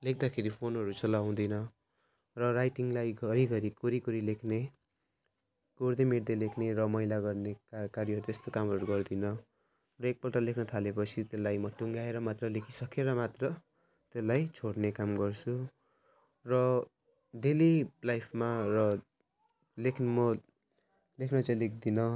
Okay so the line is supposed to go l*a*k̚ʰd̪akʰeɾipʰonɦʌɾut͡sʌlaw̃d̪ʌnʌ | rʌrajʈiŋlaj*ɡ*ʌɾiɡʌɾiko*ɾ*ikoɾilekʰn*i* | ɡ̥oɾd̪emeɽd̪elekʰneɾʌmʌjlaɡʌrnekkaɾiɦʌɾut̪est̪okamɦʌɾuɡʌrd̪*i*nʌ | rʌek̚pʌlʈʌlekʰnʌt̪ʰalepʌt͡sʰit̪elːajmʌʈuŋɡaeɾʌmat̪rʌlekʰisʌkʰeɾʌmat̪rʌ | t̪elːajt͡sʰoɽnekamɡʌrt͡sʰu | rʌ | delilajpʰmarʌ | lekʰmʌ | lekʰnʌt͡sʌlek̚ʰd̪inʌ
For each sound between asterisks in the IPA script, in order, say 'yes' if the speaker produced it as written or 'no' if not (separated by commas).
no, yes, yes, no, yes